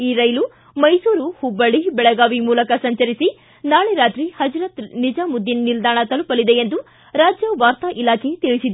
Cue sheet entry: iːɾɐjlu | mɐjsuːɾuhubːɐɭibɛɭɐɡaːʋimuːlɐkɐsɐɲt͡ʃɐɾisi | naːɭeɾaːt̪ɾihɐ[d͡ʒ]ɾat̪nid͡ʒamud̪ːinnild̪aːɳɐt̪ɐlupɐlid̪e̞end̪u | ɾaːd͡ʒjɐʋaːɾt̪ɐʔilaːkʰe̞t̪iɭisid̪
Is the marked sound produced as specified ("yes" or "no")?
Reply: yes